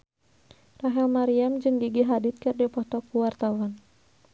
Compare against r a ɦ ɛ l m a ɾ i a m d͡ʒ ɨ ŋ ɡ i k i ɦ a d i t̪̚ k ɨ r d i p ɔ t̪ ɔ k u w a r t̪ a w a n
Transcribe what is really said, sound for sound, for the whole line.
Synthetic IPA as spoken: r a ɦ ɛ l m a ɾ i a m d͡ʒ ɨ ŋ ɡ i ɡ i ɦ a d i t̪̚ k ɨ r d i p ɔ t̪ ɔ k u w a r t̪ a w a n